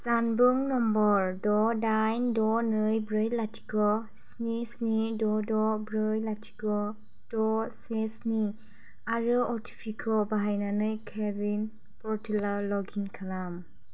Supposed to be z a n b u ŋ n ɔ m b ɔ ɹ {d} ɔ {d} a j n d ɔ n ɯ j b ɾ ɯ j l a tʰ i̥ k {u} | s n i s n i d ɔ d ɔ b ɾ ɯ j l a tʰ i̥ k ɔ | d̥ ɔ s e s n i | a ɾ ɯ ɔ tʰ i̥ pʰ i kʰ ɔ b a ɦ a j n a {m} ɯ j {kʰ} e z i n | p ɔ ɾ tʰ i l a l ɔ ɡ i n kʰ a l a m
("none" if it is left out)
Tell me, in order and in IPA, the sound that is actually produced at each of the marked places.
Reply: d, d, ɔ, n, kʰ

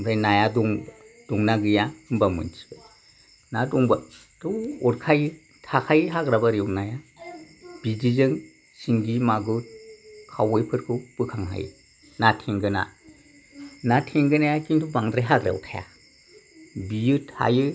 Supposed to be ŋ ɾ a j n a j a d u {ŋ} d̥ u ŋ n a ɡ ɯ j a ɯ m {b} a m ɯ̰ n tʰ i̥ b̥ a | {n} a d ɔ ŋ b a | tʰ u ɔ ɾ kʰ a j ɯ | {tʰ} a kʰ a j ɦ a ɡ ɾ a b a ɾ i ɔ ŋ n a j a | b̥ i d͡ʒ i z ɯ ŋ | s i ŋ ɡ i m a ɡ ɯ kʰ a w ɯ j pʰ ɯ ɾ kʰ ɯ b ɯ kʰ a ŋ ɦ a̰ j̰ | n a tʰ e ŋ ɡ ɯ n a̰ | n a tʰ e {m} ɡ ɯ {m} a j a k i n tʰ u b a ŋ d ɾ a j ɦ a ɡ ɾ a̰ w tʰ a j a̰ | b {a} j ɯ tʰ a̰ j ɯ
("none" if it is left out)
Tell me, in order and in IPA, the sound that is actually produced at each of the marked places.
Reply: ŋ, b, n, tʰ, ŋ, n, i

